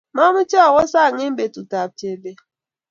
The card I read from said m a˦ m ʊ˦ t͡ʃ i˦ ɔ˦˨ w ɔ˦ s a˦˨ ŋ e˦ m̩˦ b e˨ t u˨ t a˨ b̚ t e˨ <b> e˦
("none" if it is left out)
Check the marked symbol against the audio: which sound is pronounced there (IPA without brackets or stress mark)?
b